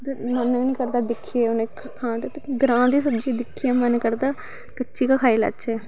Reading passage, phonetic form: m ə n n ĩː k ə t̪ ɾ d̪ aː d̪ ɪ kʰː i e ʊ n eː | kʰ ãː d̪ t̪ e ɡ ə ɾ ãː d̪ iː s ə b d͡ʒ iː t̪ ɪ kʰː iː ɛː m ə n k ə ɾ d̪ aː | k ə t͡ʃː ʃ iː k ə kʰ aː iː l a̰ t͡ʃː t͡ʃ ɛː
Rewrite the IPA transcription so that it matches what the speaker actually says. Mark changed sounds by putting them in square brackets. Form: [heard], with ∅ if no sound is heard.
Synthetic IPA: m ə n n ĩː k ə [∅] ɾ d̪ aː d̪ ɪ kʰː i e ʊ n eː | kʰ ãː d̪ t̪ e ɡ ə ɾ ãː d̪ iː s ə b d͡ʒ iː [d̪] ɪ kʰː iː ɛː m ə n k ə ɾ d̪ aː | k ə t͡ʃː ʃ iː k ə kʰ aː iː l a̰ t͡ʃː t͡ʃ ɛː